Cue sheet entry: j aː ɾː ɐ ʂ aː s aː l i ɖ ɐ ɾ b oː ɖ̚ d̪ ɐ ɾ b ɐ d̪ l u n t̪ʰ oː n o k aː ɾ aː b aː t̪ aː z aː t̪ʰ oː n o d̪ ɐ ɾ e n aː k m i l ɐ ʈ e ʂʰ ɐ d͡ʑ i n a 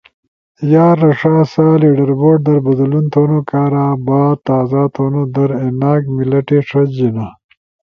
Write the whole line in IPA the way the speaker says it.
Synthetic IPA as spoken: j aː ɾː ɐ ʂ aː s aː l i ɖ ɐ ɾ b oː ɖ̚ d̪ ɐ ɾ b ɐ d̪ l u n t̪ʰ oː n o k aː ɾ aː b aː t̪ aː z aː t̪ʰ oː n o d̪ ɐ ɾ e n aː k m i l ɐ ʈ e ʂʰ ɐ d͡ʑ i n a